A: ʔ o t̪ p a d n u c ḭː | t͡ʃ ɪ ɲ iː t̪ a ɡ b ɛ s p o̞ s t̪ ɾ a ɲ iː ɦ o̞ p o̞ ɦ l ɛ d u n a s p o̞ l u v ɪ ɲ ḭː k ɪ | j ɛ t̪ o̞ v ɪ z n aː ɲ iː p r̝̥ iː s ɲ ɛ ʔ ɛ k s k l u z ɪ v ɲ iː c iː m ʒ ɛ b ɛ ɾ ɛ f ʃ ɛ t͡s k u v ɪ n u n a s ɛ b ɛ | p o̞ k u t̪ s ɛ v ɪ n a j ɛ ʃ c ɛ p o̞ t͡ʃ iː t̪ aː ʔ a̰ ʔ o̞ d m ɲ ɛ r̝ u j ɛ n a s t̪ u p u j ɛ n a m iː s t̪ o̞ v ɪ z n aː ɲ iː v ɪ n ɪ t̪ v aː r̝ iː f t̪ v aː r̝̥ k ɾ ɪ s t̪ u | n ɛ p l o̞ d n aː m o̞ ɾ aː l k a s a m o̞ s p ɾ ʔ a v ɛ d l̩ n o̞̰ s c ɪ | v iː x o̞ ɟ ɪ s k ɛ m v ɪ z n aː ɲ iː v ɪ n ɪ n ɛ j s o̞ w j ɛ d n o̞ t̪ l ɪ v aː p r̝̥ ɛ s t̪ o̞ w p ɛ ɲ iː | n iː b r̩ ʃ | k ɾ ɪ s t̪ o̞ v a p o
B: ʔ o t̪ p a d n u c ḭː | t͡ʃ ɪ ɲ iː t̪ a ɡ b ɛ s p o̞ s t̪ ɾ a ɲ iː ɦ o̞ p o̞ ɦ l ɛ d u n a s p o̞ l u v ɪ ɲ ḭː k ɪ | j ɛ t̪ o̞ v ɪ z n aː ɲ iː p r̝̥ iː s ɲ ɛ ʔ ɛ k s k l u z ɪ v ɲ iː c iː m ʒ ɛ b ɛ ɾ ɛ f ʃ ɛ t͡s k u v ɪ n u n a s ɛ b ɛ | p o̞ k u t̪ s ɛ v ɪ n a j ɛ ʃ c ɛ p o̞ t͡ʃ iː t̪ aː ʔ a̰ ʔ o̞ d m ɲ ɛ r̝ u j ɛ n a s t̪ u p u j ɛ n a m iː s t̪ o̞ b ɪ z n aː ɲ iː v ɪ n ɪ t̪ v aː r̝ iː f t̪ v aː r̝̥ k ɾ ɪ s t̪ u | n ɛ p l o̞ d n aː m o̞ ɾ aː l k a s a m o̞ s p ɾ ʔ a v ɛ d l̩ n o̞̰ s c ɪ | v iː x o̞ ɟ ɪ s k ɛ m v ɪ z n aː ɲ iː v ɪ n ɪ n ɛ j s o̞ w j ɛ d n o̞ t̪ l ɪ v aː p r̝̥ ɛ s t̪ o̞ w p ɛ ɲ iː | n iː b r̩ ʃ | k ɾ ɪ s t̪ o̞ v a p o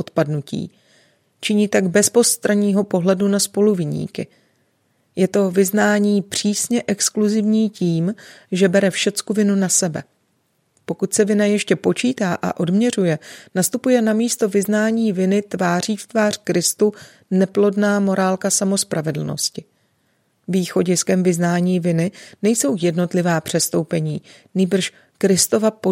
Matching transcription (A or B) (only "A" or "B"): A